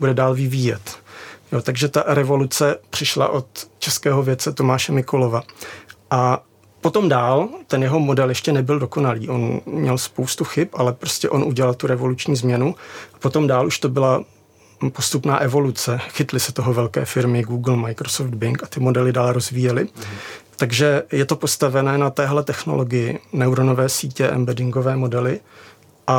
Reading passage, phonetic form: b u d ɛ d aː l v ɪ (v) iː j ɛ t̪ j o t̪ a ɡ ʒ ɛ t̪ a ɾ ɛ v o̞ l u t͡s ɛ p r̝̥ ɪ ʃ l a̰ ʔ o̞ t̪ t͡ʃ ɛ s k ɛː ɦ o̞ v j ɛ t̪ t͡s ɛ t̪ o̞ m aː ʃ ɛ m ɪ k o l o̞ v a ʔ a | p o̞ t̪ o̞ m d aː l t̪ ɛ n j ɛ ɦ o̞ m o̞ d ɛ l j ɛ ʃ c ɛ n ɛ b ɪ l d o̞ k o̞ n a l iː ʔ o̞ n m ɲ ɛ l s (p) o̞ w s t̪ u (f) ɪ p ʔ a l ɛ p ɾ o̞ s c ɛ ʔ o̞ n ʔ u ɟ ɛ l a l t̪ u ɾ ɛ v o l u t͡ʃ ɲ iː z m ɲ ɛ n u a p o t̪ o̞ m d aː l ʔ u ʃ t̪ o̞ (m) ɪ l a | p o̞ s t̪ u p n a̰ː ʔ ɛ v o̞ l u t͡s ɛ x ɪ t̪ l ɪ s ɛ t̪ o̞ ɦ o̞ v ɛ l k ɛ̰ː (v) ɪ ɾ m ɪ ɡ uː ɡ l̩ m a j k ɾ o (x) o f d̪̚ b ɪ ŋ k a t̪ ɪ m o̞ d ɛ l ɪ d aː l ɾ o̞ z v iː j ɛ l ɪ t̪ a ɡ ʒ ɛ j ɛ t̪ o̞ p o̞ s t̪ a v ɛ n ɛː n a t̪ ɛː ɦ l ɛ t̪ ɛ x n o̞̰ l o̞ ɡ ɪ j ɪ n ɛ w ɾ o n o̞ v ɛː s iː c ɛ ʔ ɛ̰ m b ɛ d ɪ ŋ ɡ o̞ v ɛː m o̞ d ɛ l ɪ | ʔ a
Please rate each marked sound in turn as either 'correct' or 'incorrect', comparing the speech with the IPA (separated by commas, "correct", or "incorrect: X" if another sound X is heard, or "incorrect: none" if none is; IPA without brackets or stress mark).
correct, correct, incorrect: x, incorrect: b, incorrect: f, incorrect: s